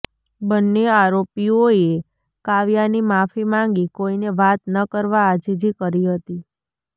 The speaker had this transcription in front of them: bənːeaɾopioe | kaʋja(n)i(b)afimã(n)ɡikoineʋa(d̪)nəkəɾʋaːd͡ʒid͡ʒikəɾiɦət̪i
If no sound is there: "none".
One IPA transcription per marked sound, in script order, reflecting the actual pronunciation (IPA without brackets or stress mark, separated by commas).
n, m, ŋ, t̪